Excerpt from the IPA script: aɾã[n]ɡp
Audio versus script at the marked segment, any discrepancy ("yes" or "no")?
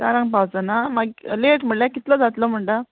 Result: yes